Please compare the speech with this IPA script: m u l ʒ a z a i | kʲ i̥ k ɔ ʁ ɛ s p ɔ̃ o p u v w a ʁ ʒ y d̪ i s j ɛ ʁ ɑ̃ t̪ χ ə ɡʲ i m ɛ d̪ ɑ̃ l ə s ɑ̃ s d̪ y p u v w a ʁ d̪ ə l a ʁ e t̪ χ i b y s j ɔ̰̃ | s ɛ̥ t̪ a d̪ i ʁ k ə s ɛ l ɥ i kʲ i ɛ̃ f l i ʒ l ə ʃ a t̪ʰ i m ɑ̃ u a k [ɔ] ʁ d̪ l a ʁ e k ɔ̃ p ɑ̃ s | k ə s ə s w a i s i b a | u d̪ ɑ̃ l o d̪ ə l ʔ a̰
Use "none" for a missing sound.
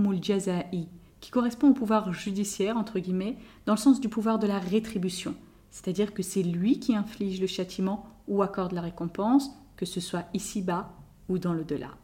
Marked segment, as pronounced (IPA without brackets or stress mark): ɔ